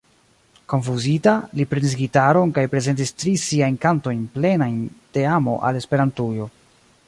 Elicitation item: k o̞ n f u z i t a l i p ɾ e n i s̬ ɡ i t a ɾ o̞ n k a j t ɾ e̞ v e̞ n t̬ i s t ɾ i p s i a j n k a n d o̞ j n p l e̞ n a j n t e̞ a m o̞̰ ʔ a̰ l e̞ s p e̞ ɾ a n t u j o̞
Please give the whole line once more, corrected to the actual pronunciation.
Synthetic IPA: k o̞ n f u z i t a l i p ɾ e n i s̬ ɡ i t a ɾ o̞ n k a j p ɾ e̞ z e̞ n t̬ i s t ɾ i s i a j n k a n t o̞ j n p l e̞ n a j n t e̞ a m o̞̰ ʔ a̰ l e̞ s p e̞ ɾ a n t u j o̞